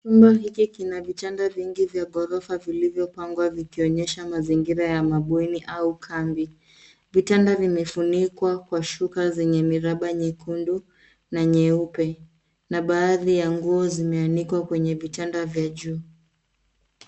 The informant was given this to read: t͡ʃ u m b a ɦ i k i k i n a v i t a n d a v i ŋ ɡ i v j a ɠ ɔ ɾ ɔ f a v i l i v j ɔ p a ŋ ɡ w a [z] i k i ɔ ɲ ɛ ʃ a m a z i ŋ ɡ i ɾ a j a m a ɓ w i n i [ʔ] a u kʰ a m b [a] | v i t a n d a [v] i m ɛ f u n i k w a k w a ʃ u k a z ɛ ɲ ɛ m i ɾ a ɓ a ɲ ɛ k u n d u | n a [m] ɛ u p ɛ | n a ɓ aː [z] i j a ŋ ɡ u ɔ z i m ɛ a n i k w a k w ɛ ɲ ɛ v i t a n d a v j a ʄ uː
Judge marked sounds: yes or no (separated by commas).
no, yes, no, yes, no, no